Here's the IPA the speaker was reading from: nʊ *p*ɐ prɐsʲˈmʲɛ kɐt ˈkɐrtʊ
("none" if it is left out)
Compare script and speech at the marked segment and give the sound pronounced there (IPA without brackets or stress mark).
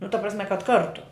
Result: t